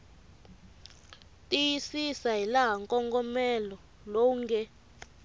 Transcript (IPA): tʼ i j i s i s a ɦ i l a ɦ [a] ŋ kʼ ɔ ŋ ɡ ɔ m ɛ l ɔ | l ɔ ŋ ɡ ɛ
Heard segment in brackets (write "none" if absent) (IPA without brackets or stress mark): a